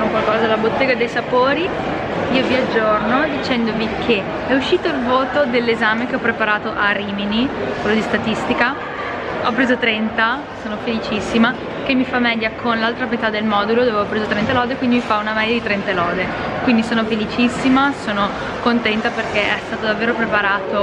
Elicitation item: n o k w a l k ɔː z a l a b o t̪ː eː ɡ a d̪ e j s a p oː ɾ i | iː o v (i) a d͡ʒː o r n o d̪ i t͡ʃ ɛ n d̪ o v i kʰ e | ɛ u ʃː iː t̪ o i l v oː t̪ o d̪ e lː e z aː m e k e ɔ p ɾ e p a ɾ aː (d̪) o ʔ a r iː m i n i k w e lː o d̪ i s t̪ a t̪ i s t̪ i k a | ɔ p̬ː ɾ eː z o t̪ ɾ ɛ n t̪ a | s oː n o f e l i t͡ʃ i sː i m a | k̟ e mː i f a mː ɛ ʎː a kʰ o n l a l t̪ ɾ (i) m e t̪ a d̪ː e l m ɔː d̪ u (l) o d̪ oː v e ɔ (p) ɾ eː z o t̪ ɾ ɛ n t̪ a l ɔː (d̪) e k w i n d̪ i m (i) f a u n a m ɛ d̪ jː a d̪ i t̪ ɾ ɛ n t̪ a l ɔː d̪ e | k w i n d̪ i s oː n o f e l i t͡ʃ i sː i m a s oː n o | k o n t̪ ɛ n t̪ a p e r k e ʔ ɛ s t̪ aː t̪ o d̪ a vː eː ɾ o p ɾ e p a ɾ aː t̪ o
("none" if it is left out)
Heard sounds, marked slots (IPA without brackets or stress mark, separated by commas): i, t̪, a, l, p, d̪, i